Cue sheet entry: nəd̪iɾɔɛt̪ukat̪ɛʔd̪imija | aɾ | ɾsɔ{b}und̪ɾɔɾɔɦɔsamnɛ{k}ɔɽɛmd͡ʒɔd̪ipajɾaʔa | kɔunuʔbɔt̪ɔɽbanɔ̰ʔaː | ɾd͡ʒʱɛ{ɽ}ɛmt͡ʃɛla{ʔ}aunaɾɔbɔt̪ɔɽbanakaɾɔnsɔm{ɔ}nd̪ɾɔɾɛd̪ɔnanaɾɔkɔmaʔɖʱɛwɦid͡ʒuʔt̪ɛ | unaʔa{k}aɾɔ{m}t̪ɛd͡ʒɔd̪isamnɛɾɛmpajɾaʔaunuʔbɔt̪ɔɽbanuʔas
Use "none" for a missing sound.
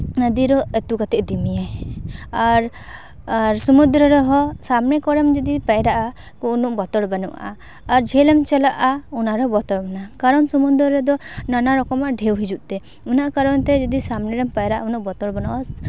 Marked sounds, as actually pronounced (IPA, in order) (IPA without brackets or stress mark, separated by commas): m, k, l, ʔ, u, k, n